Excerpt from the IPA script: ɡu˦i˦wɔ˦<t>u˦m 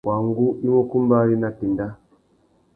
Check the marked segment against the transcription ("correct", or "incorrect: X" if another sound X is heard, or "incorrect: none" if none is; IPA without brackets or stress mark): incorrect: k